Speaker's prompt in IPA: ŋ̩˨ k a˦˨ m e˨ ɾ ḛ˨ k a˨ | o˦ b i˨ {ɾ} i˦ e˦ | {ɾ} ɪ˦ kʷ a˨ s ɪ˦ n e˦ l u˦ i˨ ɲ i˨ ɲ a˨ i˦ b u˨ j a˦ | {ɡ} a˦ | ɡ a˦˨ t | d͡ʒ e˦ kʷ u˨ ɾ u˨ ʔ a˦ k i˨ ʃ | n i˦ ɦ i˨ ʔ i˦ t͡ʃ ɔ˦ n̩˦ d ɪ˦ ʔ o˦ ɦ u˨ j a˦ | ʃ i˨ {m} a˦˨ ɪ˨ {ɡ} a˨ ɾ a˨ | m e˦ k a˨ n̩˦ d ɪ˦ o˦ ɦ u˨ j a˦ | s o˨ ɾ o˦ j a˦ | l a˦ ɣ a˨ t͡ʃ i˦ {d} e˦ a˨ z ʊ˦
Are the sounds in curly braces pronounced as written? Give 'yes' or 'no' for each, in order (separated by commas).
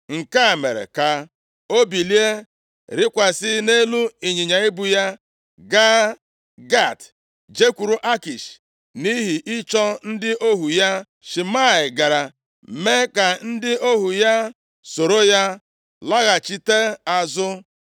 no, yes, yes, yes, yes, no